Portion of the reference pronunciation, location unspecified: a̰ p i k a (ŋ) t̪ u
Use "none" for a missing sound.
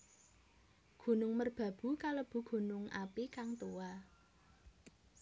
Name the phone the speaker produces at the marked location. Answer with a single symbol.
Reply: ŋ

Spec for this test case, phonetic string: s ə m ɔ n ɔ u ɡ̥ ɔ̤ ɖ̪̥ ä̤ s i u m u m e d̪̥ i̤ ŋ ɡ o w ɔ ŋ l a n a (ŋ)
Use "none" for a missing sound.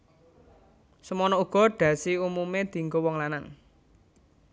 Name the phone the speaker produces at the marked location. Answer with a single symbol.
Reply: ŋ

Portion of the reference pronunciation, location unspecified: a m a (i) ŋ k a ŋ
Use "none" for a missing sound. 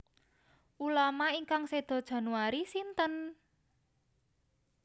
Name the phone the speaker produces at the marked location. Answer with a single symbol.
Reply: i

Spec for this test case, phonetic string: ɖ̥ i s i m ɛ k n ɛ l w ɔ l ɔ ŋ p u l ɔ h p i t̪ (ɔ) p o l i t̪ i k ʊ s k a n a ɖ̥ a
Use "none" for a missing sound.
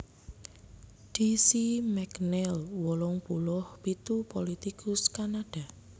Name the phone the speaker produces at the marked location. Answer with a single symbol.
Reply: u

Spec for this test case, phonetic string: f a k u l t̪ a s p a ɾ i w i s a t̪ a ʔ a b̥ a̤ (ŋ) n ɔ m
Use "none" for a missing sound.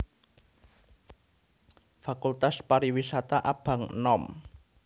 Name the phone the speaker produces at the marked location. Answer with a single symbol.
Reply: ŋ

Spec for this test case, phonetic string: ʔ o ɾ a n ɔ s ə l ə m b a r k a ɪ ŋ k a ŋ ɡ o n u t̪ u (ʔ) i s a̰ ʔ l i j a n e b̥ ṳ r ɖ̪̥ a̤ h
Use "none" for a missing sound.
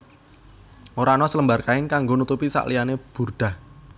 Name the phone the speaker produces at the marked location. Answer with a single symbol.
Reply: p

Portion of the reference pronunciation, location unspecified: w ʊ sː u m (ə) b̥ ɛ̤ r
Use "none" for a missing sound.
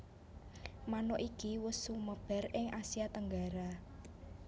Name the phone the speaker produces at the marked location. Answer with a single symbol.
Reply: ə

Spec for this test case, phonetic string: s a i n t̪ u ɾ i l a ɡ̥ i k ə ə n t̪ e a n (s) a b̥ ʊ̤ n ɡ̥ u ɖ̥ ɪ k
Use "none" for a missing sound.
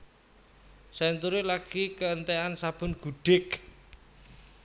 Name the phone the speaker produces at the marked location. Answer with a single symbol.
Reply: s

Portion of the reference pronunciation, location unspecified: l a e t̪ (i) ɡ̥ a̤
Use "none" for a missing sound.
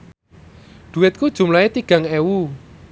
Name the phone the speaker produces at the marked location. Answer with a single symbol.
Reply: i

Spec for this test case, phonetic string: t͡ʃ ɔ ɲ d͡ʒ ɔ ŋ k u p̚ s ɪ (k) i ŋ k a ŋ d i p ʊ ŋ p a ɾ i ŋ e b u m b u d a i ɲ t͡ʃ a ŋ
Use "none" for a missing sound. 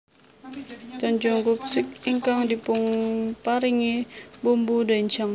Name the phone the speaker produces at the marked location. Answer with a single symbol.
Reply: k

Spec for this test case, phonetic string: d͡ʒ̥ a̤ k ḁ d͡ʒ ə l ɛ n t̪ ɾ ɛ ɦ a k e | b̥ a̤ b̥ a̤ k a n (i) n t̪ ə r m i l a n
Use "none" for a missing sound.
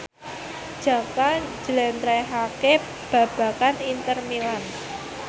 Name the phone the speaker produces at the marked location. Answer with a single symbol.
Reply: i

